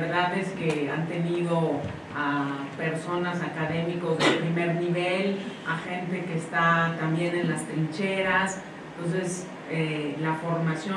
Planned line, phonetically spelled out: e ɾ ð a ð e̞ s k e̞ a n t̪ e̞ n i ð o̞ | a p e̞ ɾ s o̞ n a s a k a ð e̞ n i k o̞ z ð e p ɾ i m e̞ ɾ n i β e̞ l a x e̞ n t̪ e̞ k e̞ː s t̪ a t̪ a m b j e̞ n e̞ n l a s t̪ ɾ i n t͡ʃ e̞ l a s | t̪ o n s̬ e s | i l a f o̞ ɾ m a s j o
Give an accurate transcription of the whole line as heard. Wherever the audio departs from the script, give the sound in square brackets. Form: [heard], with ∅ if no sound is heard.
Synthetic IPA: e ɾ ð a ð e̞ s k e̞ a n t̪ e̞ n i ð o̞ | a p e̞ ɾ s o̞ n a s a k a ð e̞ [m] i k o̞ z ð e p ɾ i m e̞ ɾ n i β e̞ l a x e̞ n t̪ e̞ k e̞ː s t̪ a t̪ a m b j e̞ n e̞ n l a s t̪ ɾ i n t͡ʃ e̞ [ɾ] a s | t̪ o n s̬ e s | [e] l a f o̞ ɾ m a s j o